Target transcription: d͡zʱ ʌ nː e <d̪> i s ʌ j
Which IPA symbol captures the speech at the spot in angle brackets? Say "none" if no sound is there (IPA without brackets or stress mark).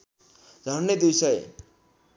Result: d̪